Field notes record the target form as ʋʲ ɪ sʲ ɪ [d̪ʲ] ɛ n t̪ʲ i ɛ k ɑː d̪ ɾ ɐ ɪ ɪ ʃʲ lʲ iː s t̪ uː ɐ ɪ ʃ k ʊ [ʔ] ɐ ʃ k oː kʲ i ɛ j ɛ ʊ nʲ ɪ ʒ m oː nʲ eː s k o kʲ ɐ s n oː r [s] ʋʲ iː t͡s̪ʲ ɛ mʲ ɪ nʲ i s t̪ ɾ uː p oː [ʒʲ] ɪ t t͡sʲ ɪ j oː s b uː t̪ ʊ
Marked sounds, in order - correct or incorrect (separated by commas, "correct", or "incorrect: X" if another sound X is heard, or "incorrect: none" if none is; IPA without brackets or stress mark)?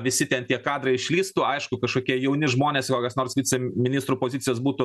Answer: incorrect: t̪ʲ, incorrect: k, correct, incorrect: zʲ